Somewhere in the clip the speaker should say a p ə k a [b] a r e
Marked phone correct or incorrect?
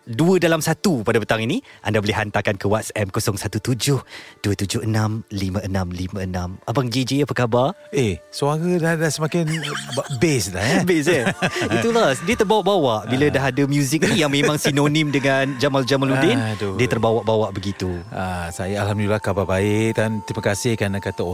correct